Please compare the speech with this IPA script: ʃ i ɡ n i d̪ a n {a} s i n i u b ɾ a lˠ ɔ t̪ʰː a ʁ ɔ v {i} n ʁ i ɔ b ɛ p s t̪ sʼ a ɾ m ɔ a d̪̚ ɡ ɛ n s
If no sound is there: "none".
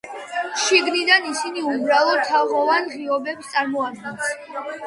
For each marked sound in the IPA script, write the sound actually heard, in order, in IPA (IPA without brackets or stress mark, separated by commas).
i, a